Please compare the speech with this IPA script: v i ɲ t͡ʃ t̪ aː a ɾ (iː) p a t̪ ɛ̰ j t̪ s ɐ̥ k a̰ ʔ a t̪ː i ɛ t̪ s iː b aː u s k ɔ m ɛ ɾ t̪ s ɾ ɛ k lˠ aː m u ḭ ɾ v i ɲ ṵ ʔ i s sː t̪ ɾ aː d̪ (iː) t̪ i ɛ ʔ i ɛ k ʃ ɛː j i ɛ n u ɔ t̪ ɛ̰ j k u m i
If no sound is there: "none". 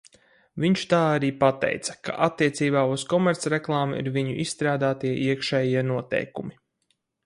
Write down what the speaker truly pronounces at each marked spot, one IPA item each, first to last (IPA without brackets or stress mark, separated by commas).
iː, aː